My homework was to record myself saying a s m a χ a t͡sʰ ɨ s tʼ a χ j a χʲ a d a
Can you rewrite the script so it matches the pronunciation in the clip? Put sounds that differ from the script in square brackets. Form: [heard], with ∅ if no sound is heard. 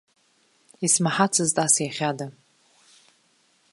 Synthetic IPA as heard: [i] s m a [ħ] a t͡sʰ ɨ [z] tʼ a [s] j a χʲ a d a